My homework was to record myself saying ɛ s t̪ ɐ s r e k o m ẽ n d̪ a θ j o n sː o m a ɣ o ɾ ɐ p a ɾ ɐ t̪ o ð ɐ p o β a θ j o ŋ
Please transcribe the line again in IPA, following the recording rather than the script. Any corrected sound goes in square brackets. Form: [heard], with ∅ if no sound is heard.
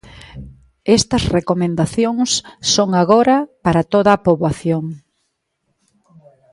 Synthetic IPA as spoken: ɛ s t̪ ɐ s r e k o m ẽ n d̪ a θ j o [ŋ] sː o [ŋ] a ɣ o ɾ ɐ p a ɾ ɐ t̪ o ð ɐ p o β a θ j o ŋ